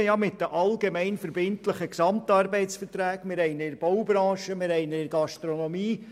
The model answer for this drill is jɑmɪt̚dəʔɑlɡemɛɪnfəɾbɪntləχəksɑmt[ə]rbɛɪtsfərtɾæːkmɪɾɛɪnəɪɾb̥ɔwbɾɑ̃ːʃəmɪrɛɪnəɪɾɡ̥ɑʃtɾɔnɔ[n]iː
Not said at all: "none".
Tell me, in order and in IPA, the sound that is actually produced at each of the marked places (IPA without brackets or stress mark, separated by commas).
ɑ, m